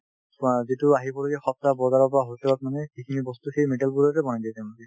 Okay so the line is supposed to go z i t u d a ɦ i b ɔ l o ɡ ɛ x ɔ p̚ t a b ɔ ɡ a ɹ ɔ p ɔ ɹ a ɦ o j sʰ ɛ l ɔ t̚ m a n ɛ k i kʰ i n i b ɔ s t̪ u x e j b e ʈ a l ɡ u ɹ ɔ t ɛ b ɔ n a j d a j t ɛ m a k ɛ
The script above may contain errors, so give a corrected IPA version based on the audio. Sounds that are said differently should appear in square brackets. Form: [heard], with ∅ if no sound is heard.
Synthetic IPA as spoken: z i t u [∅] a ɦ i b ɔ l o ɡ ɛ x ɔ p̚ t a b ɔ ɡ a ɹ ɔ p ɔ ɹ a ɦ o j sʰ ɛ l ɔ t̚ m a n ɛ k i kʰ i n i b ɔ s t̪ u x e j [m] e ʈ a l [b] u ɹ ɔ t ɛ b ɔ n a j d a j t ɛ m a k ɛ